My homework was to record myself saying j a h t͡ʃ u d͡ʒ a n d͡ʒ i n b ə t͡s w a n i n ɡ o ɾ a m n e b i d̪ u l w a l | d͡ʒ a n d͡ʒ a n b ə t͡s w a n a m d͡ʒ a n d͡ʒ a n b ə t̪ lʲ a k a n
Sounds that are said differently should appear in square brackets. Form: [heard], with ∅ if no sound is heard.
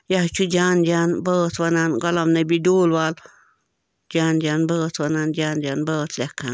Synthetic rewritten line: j a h t͡ʃ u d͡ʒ a n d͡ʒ [a] n b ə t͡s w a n [a] n ɡ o [l] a m n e b i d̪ u l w a l | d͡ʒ a n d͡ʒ a n b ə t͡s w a n a [n] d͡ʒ a n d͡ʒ a n b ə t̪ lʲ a k a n